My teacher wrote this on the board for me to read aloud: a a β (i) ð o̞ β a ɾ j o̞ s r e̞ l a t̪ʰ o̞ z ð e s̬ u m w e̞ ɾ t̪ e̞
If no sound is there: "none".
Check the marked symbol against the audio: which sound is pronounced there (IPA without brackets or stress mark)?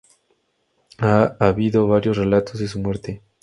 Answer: i